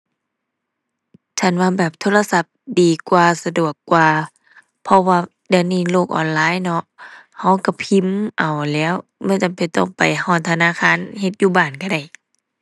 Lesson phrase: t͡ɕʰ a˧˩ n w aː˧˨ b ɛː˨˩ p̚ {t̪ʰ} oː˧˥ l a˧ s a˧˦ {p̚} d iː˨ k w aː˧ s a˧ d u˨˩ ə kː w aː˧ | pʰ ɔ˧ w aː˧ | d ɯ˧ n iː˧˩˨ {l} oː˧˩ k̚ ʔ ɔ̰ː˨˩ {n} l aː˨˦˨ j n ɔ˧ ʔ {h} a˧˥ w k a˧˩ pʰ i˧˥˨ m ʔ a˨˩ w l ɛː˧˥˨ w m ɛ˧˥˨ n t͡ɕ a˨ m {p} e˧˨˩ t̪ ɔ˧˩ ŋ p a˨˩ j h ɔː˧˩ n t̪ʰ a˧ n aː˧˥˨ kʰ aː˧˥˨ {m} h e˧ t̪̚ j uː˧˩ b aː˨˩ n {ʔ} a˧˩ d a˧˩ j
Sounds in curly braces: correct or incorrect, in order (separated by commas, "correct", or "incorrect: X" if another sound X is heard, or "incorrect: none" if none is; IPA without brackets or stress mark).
correct, correct, correct, correct, correct, correct, incorrect: n, incorrect: k